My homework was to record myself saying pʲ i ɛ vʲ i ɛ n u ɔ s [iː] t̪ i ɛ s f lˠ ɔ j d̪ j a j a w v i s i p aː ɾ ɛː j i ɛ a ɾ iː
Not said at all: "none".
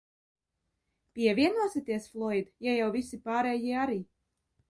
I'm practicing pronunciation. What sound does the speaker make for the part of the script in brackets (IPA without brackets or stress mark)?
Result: i